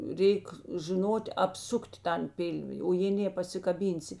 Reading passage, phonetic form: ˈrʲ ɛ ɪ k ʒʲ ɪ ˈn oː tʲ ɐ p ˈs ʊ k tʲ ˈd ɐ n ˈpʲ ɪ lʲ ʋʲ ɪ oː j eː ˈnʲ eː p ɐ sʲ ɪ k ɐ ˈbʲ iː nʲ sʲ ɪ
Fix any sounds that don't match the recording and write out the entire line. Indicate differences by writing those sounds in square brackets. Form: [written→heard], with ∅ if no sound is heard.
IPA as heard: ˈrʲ ɛ ɪ k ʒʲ ɪ ˈn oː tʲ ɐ p ˈs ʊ k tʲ [ˈd→ˈt] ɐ n ˈpʲ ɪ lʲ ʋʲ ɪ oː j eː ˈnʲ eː p ɐ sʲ ɪ k ɐ ˈbʲ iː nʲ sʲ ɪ